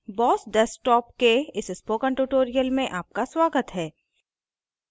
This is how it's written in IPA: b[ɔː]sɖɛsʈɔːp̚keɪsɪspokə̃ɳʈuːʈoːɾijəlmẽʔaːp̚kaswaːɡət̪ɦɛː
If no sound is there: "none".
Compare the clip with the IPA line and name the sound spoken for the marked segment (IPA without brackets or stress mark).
ɔː